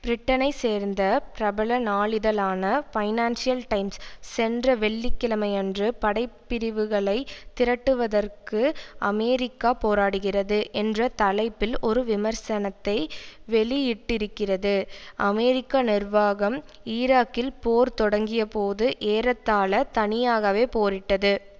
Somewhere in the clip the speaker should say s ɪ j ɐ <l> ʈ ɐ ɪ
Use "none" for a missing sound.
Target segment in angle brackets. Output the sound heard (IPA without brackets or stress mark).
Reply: l